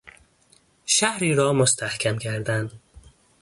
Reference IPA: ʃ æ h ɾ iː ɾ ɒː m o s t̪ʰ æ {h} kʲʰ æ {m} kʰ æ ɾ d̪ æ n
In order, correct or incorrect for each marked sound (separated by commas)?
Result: correct, correct